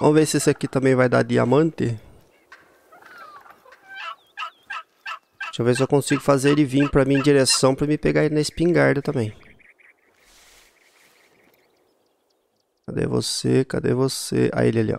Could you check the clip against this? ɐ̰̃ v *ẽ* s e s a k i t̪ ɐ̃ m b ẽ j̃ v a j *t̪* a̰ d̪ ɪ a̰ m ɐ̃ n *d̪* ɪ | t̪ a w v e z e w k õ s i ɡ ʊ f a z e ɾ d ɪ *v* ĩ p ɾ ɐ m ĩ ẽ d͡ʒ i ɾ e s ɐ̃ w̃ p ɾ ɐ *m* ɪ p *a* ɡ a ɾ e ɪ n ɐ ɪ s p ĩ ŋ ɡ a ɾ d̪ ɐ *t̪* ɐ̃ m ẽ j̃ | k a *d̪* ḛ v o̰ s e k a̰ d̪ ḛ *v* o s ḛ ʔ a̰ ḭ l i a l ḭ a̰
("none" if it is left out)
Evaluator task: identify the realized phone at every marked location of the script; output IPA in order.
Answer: e, d̪, t̪, v, m, e, t̪, d̪, v

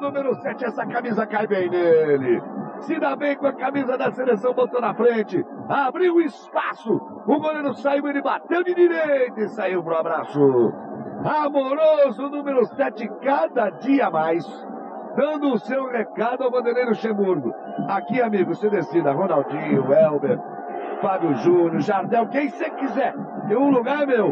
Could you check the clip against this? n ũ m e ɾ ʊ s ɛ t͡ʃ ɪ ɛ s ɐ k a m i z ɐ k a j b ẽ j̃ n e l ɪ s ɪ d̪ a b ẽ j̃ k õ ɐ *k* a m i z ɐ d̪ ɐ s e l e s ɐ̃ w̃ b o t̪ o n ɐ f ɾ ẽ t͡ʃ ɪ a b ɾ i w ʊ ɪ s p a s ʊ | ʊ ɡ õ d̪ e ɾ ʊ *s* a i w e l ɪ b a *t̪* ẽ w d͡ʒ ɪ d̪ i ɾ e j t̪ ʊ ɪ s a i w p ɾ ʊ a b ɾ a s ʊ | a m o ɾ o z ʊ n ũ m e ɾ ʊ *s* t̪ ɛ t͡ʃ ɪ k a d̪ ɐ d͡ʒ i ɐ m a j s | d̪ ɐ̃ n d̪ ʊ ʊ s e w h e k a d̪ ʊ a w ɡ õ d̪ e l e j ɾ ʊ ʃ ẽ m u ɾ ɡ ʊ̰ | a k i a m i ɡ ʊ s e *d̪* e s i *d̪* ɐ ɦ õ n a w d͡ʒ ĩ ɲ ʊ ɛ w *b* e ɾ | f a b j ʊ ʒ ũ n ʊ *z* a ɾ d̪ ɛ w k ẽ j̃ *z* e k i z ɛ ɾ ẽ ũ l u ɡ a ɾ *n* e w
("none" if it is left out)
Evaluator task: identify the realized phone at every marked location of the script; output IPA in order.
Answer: k, s, t̪, s, d̪, d̪, b, ʒ, s, m

